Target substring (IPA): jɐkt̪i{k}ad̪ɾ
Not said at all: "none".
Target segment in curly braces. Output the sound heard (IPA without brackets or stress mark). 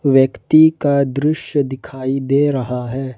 k